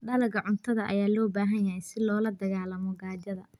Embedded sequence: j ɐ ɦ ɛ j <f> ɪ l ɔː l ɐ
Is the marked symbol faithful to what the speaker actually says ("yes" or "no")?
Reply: no